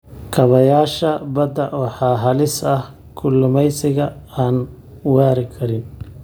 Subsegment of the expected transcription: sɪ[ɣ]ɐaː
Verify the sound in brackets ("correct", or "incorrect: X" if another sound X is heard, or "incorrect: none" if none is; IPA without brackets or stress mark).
correct